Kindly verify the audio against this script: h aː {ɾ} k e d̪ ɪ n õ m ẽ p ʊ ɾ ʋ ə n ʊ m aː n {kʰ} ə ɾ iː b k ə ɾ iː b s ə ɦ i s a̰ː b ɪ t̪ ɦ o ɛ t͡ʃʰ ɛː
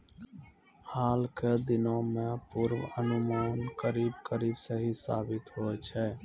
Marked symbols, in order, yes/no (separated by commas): no, no